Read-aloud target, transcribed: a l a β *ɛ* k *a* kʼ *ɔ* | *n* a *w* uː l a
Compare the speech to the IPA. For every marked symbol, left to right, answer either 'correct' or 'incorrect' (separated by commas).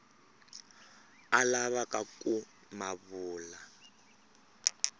incorrect, correct, incorrect, incorrect, incorrect